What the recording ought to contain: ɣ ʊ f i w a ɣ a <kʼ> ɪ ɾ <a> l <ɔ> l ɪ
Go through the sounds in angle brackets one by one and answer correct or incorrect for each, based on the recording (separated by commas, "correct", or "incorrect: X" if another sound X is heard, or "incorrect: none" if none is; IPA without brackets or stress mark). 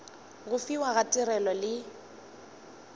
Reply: incorrect: tʼ, incorrect: ɛ, correct